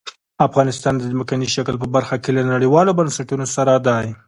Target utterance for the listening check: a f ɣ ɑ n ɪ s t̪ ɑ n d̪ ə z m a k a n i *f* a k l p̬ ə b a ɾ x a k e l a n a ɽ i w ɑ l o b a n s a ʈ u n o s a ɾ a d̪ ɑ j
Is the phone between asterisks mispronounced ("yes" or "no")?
yes